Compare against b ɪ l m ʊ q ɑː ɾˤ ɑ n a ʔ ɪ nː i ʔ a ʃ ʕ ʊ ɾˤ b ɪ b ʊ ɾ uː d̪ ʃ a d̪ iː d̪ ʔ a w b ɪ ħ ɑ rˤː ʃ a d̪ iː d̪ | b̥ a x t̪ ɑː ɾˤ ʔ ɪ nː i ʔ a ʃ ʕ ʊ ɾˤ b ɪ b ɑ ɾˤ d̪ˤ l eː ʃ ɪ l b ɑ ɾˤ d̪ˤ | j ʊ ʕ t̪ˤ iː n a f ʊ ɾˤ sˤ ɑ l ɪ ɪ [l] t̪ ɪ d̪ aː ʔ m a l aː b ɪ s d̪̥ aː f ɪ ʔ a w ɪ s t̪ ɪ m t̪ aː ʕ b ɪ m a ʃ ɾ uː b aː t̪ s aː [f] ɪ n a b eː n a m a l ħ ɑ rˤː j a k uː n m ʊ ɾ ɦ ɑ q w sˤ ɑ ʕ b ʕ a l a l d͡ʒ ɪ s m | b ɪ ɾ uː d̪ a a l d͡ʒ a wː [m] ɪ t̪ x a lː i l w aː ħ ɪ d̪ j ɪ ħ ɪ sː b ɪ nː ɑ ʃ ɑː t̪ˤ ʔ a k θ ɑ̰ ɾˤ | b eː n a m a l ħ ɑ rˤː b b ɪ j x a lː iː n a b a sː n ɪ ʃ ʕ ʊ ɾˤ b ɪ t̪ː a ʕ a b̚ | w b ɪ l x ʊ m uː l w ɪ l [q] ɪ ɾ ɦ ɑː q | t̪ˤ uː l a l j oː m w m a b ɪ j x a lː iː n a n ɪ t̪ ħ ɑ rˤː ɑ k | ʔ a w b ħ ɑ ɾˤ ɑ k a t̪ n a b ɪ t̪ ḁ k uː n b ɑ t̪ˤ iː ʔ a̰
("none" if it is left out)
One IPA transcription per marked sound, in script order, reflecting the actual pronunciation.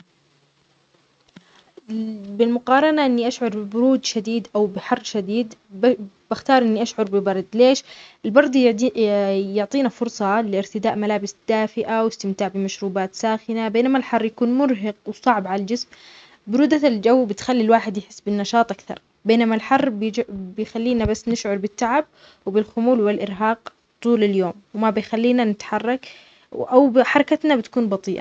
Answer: ɾ, x, b, ʔ

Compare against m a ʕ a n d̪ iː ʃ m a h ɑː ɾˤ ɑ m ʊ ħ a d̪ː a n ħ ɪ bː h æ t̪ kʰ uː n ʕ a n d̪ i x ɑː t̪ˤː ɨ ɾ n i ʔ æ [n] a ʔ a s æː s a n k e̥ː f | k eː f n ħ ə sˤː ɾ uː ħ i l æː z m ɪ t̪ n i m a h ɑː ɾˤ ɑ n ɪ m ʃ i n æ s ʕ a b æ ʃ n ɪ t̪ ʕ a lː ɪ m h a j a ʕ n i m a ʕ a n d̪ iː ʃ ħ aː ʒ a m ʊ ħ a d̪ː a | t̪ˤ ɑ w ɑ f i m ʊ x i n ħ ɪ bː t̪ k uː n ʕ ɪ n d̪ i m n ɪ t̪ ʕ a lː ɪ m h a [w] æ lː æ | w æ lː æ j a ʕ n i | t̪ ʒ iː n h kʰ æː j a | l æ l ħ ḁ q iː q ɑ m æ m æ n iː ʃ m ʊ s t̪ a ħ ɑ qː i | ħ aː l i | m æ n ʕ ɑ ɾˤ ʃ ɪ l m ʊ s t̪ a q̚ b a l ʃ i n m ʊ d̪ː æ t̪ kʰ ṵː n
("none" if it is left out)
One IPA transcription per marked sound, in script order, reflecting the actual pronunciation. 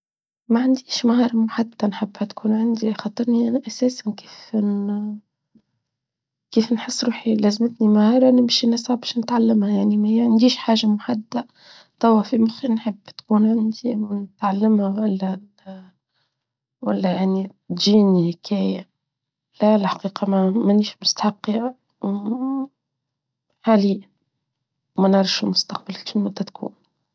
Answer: n, w

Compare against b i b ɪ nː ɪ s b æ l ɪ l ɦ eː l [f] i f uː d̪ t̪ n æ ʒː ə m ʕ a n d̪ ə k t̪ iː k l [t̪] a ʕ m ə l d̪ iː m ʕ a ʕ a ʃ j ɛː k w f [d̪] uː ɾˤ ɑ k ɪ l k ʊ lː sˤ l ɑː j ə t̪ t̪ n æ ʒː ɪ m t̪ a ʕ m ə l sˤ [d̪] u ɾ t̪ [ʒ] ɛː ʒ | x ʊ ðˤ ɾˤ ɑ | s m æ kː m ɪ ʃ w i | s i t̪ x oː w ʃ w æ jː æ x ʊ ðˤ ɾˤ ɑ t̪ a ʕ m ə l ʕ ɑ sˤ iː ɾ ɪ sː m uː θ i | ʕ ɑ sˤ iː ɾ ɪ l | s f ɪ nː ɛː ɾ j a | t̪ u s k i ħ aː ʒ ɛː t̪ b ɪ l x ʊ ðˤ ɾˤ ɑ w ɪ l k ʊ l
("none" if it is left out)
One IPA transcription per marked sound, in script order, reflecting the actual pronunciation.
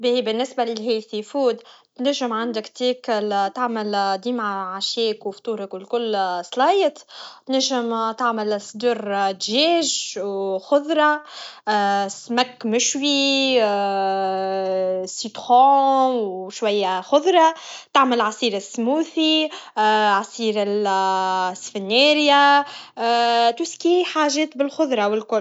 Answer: θ, t̪, t̪, d̪, ʒ

